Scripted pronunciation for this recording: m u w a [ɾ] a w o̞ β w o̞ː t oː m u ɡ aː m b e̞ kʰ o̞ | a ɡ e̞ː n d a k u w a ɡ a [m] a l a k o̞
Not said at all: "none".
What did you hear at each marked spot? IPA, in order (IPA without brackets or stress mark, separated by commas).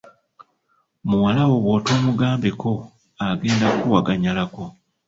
l, ɲ